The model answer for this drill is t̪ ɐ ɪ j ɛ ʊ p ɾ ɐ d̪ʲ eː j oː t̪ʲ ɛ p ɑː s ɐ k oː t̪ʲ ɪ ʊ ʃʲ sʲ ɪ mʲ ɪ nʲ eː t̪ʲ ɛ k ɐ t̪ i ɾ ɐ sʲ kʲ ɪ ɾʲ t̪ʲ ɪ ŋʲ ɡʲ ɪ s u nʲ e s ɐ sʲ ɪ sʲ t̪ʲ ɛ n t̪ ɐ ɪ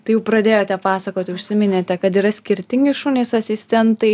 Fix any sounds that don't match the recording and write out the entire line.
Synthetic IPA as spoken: t̪ ɐ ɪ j ɛ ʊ p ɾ ɐ d̪ʲ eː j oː t̪ʲ ɛ p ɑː s ɐ k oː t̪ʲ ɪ ʊ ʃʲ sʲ ɪ mʲ ɪ nʲ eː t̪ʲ ɛ k ɐ t̪ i ɾ ɐ sʲ kʲ ɪ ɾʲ t̪ʲ ɪ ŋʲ ɡʲ ɪ ʃ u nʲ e s ɐ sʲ ɪ sʲ t̪ʲ ɛ n t̪ ɐ ɪ